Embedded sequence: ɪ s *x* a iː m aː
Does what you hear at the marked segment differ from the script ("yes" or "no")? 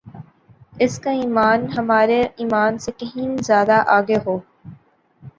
yes